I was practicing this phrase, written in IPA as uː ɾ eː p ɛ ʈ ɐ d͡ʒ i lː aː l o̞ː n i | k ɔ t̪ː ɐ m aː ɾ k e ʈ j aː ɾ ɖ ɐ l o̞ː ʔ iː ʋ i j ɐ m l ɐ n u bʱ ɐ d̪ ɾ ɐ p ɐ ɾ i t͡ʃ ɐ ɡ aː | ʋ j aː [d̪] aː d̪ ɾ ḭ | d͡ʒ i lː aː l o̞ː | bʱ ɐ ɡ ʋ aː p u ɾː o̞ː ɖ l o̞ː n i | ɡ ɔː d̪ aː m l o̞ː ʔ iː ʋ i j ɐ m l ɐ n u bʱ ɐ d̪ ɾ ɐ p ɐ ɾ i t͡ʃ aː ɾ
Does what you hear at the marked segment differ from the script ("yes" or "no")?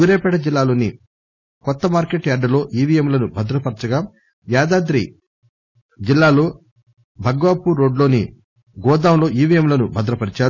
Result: no